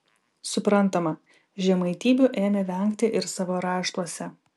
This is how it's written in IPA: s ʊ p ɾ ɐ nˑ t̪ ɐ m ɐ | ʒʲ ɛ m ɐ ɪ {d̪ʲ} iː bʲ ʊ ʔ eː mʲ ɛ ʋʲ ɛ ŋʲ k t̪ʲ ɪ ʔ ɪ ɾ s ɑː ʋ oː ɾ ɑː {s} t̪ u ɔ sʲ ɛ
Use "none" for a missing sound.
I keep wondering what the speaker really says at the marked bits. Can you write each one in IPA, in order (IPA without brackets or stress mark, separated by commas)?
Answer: t̪ʲ, ʃ